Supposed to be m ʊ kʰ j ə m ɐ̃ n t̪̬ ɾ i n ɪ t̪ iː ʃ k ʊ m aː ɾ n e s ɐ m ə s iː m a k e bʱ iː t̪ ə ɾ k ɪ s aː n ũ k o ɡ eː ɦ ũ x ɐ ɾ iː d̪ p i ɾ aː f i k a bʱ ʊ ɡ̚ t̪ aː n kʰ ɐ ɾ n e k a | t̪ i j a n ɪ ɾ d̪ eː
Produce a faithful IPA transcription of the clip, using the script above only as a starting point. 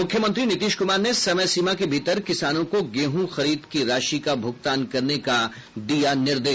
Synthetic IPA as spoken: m ʊ kʰ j ə m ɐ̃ n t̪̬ ɾ i n ɪ t̪ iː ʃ k ʊ m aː ɾ n e s ɐ m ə s iː m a k e bʱ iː t̪ ə ɾ k ɪ s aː n õ k o ɡ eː ɦ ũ x ɐ ɾ iː d̪ k i ɾ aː ʃ i k a bʱ ʊ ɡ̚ t̪ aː n k ɐ ɾ n e k a | d̪ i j a n ɪ ɾ d̪ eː

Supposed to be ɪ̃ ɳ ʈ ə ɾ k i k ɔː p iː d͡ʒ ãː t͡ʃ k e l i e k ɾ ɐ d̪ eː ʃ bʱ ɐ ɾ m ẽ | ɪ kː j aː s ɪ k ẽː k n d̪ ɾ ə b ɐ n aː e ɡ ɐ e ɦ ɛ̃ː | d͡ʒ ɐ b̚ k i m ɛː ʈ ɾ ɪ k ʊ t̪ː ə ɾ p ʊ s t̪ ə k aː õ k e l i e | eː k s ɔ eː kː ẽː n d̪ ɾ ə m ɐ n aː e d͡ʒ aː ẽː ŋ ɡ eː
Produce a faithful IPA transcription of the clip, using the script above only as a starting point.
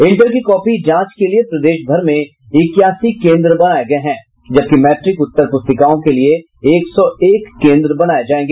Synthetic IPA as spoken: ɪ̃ ɳ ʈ ə ɾ k i k ɔː p i d͡ʒ ãː t͡ʃ k e l i e p ɾ ɐ d̪ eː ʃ bʱ ɐ ɾ m ẽ | ɪ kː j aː s i k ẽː n d̪ ɾ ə b ɐ n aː e ɡ ɐ e ɦ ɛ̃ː | d͡ʒ ɐ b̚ k i m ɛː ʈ ɾ ɪ k ʊ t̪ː ə ɾ p ʊ s t̪ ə k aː õ k e l i e | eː k s ɔ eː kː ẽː n d̪ ɾ ə b ɐ n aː e d͡ʒ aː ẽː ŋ ɡ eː

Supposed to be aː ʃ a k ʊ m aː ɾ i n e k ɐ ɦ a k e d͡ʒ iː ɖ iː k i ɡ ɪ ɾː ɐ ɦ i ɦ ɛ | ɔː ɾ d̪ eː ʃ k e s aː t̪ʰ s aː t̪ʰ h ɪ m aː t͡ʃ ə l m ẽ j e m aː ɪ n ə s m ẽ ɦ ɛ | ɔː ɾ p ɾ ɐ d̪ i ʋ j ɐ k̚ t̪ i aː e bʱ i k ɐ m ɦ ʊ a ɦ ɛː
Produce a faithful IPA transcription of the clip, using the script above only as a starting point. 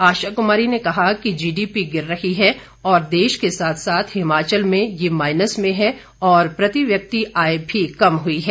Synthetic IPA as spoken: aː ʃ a k ʊ m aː ɾ i n e k ɐ ɦ a k i d͡ʒ iː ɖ iː p i ɡ ɪ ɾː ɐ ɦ i ɦ ɛ | ɔː ɾ d̪ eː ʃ k e s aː t̪ʰ s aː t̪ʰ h ɪ m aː t͡ʃ ə l m ẽ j e m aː ɪ n ə s m ẽ ɦ ɛ | ɔː ɾ p ɾ ɐ t̪ i ʋ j ɐ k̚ t̪ i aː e bʱ i k ɐ m ɦ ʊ i ɦ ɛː

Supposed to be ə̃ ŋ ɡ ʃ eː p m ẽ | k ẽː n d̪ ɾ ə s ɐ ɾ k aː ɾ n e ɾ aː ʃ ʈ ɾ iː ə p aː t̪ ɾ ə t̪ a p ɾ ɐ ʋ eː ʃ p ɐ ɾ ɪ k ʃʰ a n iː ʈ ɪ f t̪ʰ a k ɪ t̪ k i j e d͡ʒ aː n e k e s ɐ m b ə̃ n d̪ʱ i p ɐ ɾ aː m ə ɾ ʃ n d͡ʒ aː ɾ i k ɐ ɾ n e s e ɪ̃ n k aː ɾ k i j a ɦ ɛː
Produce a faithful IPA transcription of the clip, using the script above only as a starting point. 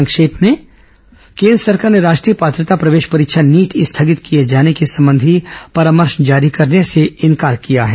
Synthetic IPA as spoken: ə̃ ŋ k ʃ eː p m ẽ | k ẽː n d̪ ɾ ə s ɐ ɾ k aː ɾ n e ɾ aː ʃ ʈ ɾ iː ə p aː t̪ ɾ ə t̪ a p ɾ ɐ ʋ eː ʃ p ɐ ɾ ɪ k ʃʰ a n iː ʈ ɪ s t̪ʰ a ɡ ɪ t̪ k i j e d͡ʒ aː n e k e s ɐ m b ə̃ n d̪ʱ i p ɐ ɾ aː m ə ɾ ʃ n d͡ʒ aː ɾ i k ɐ ɾ n e s e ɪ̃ n k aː ɾ k i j a ɦ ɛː

